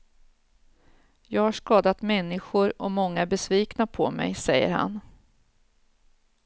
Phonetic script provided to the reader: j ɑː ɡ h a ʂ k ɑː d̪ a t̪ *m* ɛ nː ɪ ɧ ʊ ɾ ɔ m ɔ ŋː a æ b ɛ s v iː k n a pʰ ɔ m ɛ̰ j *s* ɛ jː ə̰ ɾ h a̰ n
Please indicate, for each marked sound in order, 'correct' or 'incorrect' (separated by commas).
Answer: correct, correct